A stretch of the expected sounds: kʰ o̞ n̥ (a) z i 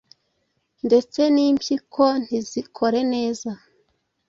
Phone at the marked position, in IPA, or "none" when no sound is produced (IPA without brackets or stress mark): i